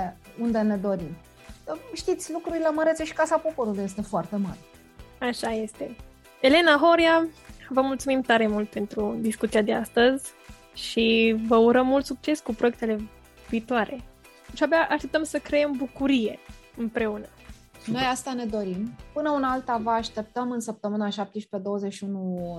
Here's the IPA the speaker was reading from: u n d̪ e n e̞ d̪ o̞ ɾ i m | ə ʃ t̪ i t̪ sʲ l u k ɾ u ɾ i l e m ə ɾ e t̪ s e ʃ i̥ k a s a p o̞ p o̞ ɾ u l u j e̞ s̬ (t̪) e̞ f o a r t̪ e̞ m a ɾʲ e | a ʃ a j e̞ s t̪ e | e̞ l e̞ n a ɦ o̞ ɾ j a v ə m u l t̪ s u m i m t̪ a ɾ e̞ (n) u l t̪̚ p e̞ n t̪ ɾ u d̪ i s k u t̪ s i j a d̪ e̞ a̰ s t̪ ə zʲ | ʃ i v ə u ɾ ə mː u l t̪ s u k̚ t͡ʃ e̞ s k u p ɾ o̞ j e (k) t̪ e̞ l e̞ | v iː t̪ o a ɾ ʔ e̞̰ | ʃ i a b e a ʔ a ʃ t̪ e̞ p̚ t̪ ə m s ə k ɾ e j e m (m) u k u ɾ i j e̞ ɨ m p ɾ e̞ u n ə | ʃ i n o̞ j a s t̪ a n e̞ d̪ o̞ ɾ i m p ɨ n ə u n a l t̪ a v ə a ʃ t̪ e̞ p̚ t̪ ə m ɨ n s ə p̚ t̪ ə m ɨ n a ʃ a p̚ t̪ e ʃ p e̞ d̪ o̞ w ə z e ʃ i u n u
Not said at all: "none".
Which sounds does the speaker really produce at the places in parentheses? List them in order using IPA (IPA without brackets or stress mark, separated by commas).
t̪, m, k, b